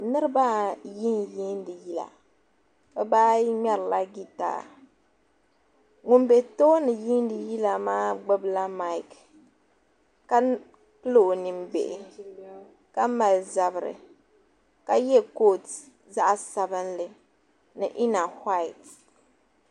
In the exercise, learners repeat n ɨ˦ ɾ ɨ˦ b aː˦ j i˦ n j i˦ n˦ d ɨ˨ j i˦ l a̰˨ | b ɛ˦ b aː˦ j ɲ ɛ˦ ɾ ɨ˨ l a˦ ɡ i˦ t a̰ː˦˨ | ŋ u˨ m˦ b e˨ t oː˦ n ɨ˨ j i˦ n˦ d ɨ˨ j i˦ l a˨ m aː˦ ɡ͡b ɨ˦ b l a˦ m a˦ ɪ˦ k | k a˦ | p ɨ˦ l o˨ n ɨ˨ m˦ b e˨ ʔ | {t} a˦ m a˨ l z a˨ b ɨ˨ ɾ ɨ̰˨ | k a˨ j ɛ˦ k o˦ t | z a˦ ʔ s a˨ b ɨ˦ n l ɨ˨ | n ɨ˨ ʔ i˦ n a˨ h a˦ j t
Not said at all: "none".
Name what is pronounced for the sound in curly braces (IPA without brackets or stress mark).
k